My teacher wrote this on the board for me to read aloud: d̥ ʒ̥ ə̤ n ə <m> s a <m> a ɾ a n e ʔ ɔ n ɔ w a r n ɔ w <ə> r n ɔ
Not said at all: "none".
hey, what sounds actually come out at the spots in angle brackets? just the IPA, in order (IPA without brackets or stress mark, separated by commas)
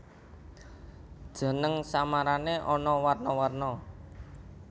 ŋ, m, a